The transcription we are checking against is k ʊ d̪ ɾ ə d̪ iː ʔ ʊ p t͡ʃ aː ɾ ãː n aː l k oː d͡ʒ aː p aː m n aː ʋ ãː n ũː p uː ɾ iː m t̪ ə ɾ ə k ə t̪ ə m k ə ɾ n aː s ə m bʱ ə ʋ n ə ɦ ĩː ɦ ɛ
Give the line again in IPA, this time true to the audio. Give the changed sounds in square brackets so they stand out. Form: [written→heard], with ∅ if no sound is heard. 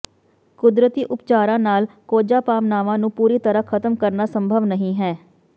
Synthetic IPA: k ʊ d̪ ɾ ə [d̪→t̪] iː ʔ ʊ p t͡ʃ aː ɾ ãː n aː l k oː d͡ʒ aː p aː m n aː ʋ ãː n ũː p uː ɾ iː [m→∅] t̪ ə ɾ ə [k→kʰ] ə t̪ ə m k ə ɾ n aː s ə m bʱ ə ʋ n ə ɦ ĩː ɦ [ɛ→ɛː]